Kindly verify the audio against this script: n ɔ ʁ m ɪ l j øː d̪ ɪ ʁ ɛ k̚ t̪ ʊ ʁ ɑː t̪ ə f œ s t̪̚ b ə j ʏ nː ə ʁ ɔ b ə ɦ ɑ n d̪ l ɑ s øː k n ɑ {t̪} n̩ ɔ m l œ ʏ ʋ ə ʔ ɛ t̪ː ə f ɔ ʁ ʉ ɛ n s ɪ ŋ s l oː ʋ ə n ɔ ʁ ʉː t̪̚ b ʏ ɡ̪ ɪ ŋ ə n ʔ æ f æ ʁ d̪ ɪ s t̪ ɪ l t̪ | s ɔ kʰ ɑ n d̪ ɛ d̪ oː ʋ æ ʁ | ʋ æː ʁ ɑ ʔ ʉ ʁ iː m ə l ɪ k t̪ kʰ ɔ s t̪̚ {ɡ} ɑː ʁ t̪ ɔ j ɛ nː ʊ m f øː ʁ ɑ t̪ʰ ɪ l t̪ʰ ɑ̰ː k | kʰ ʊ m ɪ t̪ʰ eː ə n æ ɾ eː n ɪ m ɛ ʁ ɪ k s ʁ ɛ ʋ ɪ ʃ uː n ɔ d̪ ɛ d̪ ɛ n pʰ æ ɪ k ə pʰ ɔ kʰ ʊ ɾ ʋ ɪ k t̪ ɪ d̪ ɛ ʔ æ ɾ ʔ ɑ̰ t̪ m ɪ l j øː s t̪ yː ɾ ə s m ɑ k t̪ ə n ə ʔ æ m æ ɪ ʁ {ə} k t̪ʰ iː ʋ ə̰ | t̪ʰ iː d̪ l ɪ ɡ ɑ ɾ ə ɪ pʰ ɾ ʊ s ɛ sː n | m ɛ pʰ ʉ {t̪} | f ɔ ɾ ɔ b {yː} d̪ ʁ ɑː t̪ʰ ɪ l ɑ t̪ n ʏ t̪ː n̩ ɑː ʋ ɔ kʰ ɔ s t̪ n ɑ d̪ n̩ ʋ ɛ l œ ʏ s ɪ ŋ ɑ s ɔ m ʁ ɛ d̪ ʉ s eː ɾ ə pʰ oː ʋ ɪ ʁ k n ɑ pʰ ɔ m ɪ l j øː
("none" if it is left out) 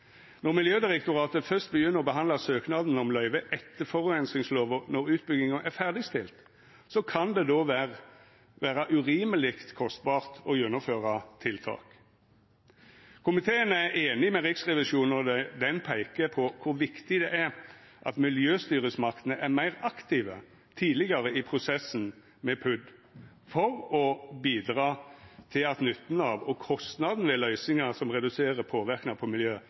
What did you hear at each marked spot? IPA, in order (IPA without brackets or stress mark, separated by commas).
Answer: d̪, b, ɑ, d̪, iː